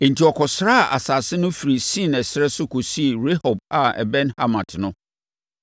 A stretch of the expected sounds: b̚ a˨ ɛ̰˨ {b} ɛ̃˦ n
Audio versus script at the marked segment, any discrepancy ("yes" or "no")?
no